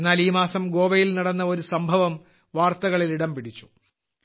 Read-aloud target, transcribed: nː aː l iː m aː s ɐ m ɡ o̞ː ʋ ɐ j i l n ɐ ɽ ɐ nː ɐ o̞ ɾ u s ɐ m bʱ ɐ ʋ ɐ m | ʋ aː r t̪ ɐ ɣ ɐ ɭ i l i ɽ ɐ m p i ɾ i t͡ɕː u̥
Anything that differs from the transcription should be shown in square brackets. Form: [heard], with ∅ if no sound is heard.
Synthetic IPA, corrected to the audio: nː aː l iː m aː s ɐ m ɡ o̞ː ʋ ɐ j i l n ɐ ɽ ɐ nː ɐ o̞ ɾ u s ɐ m bʱ ɐ ʋ ɐ m | ʋ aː r t̪ ɐ ɣ ɐ ɭ i l i ɽ ɐ m p i [ɽ] i t͡ɕː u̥